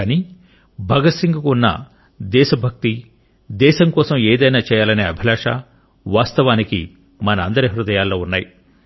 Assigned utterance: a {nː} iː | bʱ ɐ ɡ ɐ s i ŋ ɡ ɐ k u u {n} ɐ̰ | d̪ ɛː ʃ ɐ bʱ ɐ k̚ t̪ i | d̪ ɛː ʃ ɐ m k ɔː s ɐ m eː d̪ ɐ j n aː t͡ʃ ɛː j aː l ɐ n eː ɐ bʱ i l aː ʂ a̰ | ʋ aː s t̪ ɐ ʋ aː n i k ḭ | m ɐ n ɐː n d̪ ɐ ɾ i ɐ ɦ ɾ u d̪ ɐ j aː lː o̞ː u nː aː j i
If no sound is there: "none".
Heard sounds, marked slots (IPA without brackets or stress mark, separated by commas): n, nː